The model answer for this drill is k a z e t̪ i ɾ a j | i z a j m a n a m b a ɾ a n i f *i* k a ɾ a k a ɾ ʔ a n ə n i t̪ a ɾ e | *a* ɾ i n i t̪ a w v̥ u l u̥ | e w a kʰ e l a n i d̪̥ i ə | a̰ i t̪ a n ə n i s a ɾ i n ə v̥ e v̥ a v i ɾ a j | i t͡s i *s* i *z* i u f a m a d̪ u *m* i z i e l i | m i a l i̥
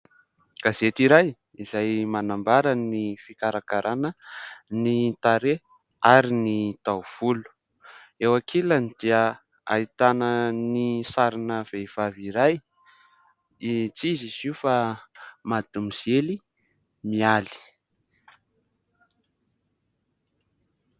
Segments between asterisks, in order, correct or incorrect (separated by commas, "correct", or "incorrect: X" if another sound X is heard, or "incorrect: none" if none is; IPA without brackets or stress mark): correct, correct, incorrect: z, correct, correct